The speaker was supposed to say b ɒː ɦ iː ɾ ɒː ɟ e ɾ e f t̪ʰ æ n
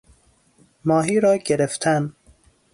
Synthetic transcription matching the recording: m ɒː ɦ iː ɾ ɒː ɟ e ɾ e f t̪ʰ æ n

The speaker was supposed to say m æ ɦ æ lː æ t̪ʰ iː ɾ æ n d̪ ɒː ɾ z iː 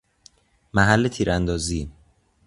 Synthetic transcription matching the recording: m æ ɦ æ lː e t̪ʰ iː ɾ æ n d̪ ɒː z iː

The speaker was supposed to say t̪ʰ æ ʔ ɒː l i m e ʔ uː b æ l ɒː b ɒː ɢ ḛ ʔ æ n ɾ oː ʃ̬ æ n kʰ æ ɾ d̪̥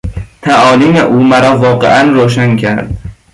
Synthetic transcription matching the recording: t̪ʰ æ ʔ ɒː l i m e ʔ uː m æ ɾ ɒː v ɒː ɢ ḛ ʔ æ n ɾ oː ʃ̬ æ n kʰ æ ɾ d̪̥

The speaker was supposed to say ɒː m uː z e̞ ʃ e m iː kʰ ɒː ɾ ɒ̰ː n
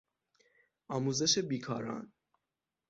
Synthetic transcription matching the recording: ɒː m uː z e̞ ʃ e b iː kʰ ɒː ɾ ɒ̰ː n

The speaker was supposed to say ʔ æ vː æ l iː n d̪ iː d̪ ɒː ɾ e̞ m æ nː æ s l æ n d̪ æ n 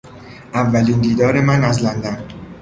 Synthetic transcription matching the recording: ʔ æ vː æ l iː n d̪ iː d̪ ɒː ɾ e̞ m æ n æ z l æ n d̪ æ n

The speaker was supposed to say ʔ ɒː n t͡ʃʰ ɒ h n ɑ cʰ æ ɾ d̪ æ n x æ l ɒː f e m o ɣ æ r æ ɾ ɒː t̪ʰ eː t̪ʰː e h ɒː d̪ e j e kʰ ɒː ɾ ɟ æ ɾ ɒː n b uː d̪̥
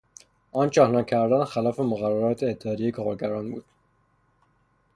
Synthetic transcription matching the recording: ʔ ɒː n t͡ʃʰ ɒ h n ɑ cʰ æ ɾ d̪ æ n x æ l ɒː f e m o ɣ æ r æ ɾ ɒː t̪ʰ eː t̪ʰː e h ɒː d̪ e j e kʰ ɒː ɾ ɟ æ ɾ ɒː n b uː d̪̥

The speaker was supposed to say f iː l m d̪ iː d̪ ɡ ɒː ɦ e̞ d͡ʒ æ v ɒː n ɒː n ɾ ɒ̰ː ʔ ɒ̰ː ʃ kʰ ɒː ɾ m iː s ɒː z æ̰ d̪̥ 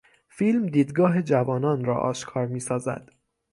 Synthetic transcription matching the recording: f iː l m d̪ iː d̪ ɡ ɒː ɦ e̞ d͡ʒ æ v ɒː n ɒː n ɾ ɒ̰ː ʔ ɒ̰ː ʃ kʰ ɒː ɾ m iː s ɒː z æ̰ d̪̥

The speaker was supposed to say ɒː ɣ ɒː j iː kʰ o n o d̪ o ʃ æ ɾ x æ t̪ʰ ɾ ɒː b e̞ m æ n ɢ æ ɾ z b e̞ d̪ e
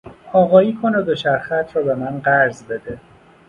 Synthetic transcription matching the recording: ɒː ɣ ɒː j iː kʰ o n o d̪ o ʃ æ ɾ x æ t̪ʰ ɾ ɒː b e̞ m æ n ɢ æ ɾ z b e̞ d̪ e

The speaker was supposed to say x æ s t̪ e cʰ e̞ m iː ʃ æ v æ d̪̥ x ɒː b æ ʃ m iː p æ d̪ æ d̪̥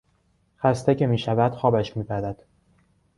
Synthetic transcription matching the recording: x æ s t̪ e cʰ e̞ m iː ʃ æ v æ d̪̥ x ɒː b æ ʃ m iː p æ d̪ æ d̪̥

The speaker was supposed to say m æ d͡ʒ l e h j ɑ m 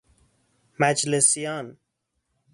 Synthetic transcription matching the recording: m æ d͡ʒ l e s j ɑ n

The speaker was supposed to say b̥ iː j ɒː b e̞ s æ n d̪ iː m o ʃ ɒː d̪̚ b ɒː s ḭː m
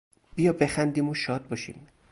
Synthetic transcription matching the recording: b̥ i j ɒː b e̞ x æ n d̪ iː m o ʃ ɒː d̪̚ b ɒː ʃ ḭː m

